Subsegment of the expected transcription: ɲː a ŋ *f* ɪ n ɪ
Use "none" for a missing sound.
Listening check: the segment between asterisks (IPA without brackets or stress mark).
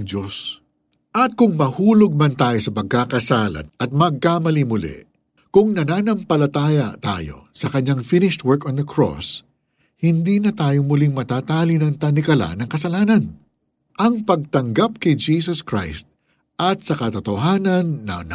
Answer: f